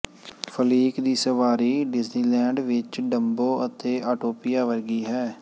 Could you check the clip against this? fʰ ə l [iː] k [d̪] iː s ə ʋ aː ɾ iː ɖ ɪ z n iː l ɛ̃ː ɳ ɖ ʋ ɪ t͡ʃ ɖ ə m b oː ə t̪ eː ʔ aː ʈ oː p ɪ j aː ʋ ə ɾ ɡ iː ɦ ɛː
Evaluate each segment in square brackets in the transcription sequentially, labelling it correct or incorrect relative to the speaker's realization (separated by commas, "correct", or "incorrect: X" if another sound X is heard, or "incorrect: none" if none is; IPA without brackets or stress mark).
correct, correct